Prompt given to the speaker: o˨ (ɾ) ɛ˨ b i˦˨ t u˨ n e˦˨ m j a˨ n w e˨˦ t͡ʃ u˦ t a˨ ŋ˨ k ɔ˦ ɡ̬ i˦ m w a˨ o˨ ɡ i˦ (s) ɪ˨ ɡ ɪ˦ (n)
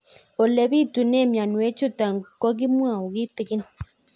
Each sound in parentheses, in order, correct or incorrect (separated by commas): incorrect, incorrect, correct